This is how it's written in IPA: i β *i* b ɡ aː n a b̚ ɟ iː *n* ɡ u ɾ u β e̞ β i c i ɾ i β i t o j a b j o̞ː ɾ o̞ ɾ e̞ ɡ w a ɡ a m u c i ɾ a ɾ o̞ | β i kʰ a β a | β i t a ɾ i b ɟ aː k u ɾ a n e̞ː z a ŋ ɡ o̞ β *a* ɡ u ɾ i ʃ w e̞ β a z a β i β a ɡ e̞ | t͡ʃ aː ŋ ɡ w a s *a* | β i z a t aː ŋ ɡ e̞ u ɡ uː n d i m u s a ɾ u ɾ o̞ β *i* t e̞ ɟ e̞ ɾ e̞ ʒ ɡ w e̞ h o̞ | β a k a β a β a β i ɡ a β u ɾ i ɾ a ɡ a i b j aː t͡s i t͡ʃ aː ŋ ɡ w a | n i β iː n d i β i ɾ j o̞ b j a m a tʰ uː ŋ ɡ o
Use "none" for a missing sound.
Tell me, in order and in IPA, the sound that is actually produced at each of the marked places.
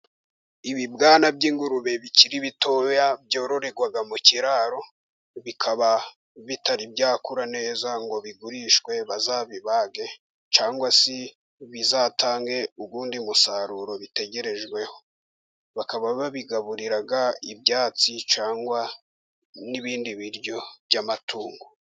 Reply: i, ŋ, i, i, i

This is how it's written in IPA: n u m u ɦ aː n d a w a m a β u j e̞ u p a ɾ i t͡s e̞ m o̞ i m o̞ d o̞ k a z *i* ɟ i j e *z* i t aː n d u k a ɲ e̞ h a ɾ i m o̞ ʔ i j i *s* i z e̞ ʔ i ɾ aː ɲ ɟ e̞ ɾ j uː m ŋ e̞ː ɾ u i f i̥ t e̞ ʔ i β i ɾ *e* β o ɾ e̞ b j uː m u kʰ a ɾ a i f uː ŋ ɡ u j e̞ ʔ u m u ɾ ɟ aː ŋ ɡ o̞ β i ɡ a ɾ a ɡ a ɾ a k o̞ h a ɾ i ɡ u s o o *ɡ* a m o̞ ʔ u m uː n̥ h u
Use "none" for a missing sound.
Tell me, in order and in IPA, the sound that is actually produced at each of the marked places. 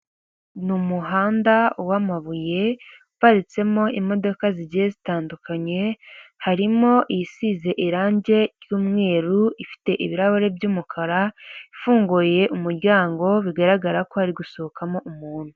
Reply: i, z, s, a, k

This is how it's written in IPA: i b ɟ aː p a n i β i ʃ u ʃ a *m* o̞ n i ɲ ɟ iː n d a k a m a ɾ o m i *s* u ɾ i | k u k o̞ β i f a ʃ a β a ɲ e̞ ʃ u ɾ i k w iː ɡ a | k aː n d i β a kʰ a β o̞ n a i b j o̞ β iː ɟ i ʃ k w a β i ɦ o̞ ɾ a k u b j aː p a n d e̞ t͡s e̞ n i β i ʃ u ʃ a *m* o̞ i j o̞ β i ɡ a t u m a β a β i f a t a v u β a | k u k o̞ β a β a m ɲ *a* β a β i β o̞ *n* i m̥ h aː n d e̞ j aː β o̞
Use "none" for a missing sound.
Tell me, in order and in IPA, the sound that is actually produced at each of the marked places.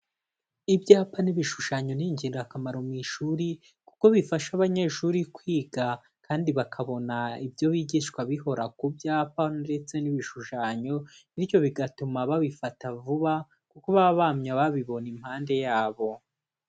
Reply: ɲ, ʃ, ɲ, a, n

